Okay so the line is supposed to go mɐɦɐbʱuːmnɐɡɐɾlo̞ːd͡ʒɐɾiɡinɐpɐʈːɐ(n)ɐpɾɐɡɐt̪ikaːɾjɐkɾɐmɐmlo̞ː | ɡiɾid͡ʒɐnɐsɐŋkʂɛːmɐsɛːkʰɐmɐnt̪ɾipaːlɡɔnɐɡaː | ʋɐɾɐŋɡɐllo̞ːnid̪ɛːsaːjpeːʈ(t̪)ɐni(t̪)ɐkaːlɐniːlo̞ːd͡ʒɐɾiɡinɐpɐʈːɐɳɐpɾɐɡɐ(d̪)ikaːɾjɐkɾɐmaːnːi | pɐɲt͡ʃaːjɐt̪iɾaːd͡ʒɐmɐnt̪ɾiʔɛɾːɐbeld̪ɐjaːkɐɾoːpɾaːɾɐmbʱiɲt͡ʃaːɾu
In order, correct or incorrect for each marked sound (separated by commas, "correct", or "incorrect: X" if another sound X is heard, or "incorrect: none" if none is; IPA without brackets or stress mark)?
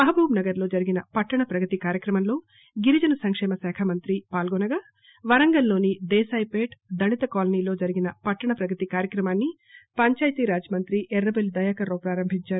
incorrect: ɳ, incorrect: d̪, correct, incorrect: t̪